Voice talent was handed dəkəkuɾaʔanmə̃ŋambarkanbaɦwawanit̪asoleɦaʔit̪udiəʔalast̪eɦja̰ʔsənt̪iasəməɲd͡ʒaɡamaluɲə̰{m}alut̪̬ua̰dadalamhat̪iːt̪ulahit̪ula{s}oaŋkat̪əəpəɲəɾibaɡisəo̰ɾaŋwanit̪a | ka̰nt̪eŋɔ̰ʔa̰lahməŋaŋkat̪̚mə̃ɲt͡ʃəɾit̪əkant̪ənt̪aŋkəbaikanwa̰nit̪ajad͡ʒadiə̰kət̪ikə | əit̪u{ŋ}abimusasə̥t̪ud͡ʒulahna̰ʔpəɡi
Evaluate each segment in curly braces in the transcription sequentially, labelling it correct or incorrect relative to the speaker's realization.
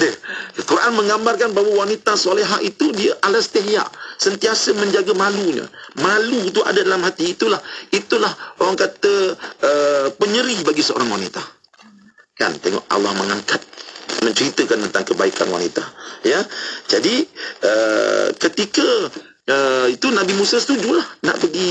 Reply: correct, incorrect, incorrect

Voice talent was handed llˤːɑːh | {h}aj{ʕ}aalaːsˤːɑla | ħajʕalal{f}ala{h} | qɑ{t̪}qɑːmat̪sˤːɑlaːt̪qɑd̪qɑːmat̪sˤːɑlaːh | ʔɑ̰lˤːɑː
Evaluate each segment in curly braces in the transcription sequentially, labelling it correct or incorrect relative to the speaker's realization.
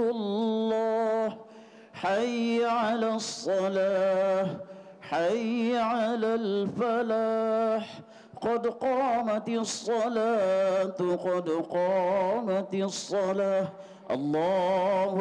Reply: incorrect, correct, correct, incorrect, incorrect

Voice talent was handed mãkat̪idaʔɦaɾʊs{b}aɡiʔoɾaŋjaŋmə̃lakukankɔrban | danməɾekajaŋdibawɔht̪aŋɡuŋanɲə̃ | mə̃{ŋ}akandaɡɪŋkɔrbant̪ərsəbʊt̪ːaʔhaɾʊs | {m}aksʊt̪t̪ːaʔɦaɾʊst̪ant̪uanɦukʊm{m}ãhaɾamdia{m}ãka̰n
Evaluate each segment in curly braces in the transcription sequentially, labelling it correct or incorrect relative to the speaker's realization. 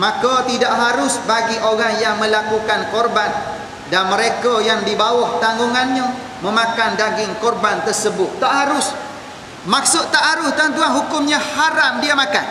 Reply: correct, incorrect, correct, incorrect, correct

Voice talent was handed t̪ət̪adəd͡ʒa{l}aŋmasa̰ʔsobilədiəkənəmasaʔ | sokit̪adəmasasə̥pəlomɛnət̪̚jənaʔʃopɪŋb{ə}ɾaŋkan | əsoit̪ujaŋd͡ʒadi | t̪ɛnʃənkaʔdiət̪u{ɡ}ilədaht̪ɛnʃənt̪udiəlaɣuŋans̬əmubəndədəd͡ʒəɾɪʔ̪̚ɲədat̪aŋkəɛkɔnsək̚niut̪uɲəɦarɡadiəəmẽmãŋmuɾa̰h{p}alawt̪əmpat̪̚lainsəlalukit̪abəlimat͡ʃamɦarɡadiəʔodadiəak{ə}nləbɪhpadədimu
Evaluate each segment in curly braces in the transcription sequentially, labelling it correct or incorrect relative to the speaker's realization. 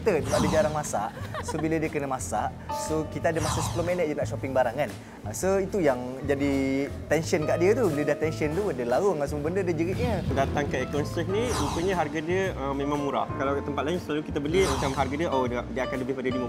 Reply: incorrect, incorrect, incorrect, incorrect, incorrect

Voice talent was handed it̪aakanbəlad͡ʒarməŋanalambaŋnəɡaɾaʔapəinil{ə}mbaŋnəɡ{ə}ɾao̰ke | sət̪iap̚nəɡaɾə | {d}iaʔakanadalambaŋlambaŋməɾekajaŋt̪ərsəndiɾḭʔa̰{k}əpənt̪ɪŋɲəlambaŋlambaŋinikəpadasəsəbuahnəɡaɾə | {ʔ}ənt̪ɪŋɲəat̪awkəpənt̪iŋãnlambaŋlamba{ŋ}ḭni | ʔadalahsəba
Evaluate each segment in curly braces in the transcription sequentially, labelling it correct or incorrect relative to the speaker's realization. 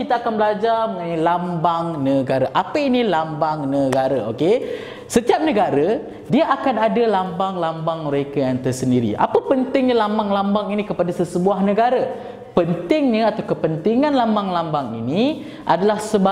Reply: incorrect, incorrect, correct, incorrect, incorrect, correct

